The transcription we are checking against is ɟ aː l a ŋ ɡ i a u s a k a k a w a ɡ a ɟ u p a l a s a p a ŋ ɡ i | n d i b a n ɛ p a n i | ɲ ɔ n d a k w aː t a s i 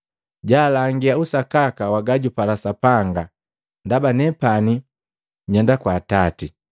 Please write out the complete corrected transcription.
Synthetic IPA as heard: ɟ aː l a ŋ ɡ i a u s a k a k a w a ɡ a ɟ u p a l a s a p a ŋ ɡ a | n d a b a n ɛ p a n i | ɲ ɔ n d a k w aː t a t i